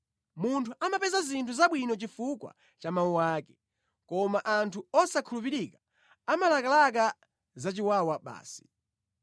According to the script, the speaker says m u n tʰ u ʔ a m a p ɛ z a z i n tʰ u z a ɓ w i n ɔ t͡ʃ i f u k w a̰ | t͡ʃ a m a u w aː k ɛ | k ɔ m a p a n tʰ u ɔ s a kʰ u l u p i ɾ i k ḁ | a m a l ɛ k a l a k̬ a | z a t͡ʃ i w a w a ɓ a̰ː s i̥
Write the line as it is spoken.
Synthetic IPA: m u n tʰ u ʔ a m a p ɛ z a z i n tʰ u z a ɓ w i n ɔ t͡ʃ i f u k w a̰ | t͡ʃ a m a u w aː k ɛ | k ɔ m a ʔ a n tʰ u ɔ s a kʰ u l u p i ɾ i k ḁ | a m a l a k a l a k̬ a | z a t͡ʃ i w a w a ɓ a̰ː s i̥

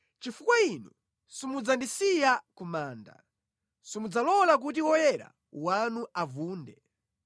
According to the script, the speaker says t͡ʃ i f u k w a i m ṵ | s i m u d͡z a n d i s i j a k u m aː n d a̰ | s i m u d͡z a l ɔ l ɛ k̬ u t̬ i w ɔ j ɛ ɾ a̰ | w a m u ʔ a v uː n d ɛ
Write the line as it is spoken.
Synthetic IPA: t͡ʃ i f u k w a i n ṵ | s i m u d͡z a n d i s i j a k u m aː n d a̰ | s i m u d͡z a l ɔ l a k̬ u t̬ i w ɔ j ɛ ɾ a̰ | w a n u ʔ a v uː n d ɛ

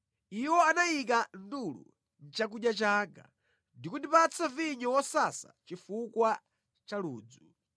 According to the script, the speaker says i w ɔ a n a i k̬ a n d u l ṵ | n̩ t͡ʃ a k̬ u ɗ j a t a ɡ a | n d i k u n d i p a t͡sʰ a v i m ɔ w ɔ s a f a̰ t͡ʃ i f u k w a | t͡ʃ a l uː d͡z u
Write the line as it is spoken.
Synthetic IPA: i w ɔ a n a i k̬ a n d u l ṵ | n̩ t͡ʃ a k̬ u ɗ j a t͡ʃ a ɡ a | n d i k u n d i p a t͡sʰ a v i ɲ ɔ w ɔ s a s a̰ t͡ʃ i f u k w a | t͡ʃ a l uː d͡z u

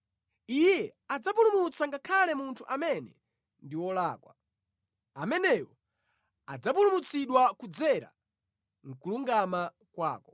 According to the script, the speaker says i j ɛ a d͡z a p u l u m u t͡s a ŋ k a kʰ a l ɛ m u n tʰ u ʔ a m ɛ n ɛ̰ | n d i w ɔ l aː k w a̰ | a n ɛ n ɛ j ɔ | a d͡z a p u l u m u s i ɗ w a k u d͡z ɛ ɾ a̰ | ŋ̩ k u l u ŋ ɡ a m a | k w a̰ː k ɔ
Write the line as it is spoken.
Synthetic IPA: i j ɛ a d͡z a p u l u m u t͡s a ŋ ɡ a kʰ a l ɛ m u n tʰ u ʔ a m ɛ n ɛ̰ | n d i w ɔ l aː k w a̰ | a m ɛ n ɛ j ɔ | a d͡z a p u l u m u t͡s i ɗ w a k u d͡z ɛ ɾ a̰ | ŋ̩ k u l u ŋ ɡ a m a | k w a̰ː k ɔ

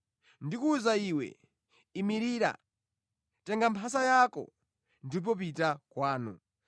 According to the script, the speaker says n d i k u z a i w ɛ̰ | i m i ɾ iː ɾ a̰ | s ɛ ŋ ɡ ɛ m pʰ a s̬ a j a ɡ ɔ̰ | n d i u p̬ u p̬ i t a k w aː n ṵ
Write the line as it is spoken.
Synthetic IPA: n d i k u z a i w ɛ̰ | i m i ɾ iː ɾ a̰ | t ɛ ŋ ɡ a m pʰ a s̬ a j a k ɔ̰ | n d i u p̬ ɔ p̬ i t a k w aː n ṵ

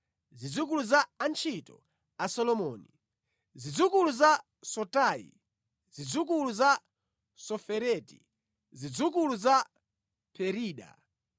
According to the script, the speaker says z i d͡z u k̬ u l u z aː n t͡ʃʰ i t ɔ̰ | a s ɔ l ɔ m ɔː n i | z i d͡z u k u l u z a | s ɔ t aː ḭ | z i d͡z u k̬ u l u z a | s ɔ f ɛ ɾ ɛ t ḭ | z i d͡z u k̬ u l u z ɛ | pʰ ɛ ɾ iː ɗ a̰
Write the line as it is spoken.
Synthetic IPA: z i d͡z u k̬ u l u z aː n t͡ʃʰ i t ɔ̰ | a s ɔ l ɔ m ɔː n i | z i d͡z u k u l u z a | s ɔ t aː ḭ | z i d͡z u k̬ u l u z a | s ɔ f ɛ ɾ ɛ t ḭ | z i d͡z u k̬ u l u z a | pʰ ɛ ɾ iː ɗ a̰

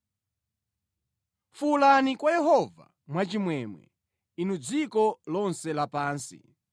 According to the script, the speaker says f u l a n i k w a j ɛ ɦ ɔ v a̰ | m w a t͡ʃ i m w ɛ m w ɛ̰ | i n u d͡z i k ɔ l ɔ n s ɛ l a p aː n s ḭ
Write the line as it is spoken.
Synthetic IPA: f u l a n i k w a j ɛ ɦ ɔ v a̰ | m w a t͡ʃ i m w ɛ m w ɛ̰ | i n u d͡z i k ɔ l ɔ n s ɛ l a p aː n s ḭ

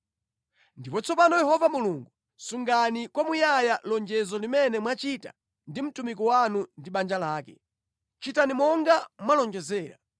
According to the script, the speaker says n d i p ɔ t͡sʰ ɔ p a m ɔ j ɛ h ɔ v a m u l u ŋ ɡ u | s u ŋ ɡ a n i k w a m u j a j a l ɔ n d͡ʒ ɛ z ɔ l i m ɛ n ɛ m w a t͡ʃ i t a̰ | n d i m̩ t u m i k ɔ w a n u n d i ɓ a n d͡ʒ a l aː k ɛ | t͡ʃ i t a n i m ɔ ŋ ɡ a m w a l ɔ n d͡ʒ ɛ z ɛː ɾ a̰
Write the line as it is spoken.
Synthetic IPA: n d i p ɔ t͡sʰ ɔ p a n ɔ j ɛ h ɔ v a m u l u ŋ ɡ u | s u ŋ ɡ a n i k w a m u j a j a l ɔ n d͡ʒ ɛ z ɔ l i m ɛ n ɛ m w a t͡ʃ i t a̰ | n d i m̩ t u m i k ɔ w a n u n d i ɓ a n d͡ʒ a l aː k ɛ | t͡ʃ i t a n i m ɔ ŋ ɡ a m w a l ɔ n d͡ʒ ɛ z ɛː ɾ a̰

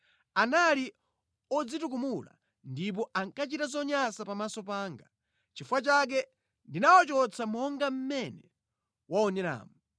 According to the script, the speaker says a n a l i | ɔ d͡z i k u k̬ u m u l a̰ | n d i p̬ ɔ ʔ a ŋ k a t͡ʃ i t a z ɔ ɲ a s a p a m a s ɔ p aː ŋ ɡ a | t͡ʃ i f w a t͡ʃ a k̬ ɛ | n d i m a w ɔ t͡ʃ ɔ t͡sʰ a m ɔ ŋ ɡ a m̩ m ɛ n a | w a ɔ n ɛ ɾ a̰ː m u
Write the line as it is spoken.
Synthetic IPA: a n a l i | ɔ d͡z i t u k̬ u m u l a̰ | n d i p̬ ɔ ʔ a ŋ k a t͡ʃ i t a z ɔ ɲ a s a p a m a s ɔ p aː ŋ ɡ a | t͡ʃ i f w a t͡ʃ a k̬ ɛ | n d i n a w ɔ t͡ʃ ɔ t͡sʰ a m ɔ ŋ ɡ a m̩ m ɛ n ɛ | w a ɔ n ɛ ɾ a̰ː m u

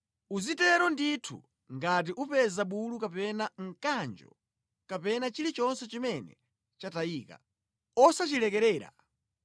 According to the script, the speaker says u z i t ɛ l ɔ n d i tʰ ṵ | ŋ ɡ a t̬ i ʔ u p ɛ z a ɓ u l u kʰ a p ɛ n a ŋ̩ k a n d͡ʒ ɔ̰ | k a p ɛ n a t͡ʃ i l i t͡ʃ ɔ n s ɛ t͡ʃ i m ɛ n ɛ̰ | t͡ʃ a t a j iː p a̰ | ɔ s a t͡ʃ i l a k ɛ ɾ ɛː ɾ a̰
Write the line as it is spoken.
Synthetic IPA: u z i t ɛ ɾ ɔ n d i tʰ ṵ | ŋ ɡ a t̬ i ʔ u p ɛ z a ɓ u l u k a p ɛ n a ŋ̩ k a n d͡ʒ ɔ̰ | k a p ɛ n a t͡ʃ i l i t͡ʃ ɔ n s ɛ t͡ʃ i m ɛ n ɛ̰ | t͡ʃ a t a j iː k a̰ | ɔ s a t͡ʃ i l ɛ k ɛ ɾ ɛː ɾ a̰

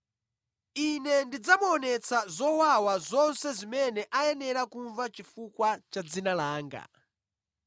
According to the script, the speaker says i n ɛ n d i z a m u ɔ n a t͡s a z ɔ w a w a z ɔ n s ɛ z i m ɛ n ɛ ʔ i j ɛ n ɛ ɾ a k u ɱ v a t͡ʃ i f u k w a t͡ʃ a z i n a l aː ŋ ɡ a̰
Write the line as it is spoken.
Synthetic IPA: i n ɛ n d i d͡z a m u ɔ n ɛ t͡s a z ɔ w a w a z ɔ n s ɛ z i m ɛ n ɛ ʔ a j ɛ n ɛ ɾ a k u ɱ v a t͡ʃ i f u k w a t͡ʃ a d͡z i n a l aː ŋ ɡ a̰

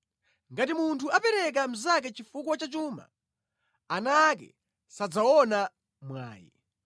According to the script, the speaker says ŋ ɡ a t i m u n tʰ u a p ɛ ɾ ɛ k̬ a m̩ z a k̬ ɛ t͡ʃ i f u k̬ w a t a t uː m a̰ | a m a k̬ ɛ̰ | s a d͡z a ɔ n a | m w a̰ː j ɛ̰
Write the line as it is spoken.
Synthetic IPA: ŋ ɡ a t i m u n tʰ u a p ɛ ɾ ɛ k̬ a m̩ z a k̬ ɛ t͡ʃ i f u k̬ w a t͡ʃ a t͡ʃ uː m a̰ | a n a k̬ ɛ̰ | s a d͡z a ɔ n a | m w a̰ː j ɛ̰

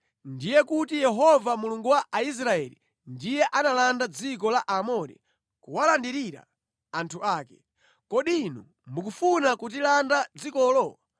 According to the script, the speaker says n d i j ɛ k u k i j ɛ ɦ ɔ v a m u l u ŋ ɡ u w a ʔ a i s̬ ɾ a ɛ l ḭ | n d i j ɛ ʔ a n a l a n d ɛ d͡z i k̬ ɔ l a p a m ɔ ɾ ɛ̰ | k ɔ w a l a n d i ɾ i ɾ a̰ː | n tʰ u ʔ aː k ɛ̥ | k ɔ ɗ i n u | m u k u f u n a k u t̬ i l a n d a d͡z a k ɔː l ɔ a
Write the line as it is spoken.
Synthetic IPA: n d i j ɛ k u t i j ɛ ɦ ɔ v a m u l u ŋ ɡ u w a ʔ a i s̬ ɾ a ɛ l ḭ | n d i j ɛ ʔ a n a l a n d a d͡z i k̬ ɔ l a ʔ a m ɔ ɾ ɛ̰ | k u w a l a n d i ɾ i ɾ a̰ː | n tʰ u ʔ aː k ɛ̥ | k ɔ ɗ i n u | m u k u f u n a k u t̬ i l a n d a d͡z i k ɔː l ɔ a

